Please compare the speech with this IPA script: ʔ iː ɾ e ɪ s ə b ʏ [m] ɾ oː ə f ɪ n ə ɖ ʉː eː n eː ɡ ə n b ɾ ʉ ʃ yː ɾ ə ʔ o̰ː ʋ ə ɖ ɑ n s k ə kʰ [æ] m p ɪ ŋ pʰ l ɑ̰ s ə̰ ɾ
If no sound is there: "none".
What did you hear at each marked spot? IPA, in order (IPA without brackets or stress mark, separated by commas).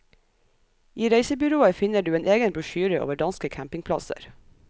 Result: none, æ